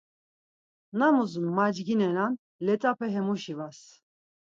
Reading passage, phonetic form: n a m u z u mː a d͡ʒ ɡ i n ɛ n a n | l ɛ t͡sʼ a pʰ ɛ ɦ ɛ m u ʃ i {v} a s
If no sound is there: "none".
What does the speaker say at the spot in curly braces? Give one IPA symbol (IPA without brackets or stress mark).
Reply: v